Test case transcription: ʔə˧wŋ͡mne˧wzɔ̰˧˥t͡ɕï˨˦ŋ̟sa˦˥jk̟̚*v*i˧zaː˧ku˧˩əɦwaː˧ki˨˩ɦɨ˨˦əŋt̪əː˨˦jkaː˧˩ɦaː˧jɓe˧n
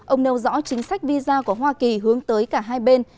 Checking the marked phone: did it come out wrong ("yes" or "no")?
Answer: no